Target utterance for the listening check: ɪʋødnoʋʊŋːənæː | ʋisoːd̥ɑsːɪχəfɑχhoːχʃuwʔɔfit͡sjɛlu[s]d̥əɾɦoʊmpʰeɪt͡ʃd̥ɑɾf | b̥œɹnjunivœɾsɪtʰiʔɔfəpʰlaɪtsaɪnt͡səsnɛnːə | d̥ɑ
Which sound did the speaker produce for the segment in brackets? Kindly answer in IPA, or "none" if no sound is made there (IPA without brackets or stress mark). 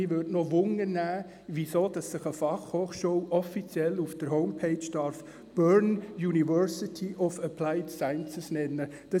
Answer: f